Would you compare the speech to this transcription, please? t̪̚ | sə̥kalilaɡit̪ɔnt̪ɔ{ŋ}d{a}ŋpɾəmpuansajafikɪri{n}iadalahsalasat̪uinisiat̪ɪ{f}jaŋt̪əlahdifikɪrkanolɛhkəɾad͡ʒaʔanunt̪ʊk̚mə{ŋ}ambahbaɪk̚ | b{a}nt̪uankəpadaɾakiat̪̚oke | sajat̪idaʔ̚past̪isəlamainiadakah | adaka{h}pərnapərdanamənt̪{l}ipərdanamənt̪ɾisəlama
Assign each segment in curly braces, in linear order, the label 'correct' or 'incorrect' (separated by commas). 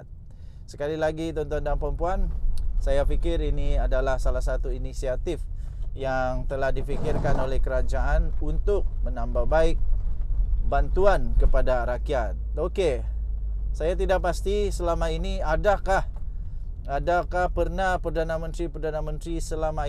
incorrect, correct, correct, correct, incorrect, correct, correct, incorrect